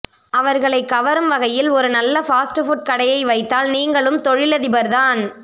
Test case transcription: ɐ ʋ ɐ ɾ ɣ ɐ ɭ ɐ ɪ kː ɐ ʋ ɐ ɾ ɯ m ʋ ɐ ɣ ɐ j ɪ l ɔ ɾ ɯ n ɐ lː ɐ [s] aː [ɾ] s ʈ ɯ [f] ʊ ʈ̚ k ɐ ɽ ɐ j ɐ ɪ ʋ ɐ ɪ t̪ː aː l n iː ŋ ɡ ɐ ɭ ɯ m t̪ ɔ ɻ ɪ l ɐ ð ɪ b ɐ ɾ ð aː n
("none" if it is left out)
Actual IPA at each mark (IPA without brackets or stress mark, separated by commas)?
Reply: f, none, f